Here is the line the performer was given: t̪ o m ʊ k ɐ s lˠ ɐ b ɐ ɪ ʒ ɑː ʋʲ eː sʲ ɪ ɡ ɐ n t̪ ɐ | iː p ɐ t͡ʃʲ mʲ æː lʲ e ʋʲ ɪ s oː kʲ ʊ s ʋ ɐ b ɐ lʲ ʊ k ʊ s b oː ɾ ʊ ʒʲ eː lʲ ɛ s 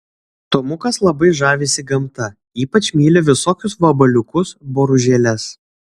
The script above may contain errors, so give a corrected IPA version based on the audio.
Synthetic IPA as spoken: t̪ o m ʊ k ɐ s lˠ ɐ b ɐ ɪ ʒ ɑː ʋʲ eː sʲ ɪ ɡ ɐ m t̪ ɐ | iː p ɐ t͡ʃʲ mʲ iː lʲ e ʋʲ ɪ s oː kʲ ʊ s ʋ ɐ b ɐ lʲ ʊ k ʊ s b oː ɾ ʊ ʒʲ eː lʲ ɛ s